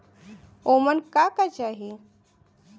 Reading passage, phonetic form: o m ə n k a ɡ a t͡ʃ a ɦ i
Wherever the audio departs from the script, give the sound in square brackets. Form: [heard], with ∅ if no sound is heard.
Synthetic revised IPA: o m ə n k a [k] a t͡ʃ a ɦ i